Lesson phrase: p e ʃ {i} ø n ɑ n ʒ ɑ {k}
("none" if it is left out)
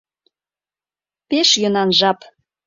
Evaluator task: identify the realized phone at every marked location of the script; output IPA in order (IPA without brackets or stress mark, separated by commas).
j, p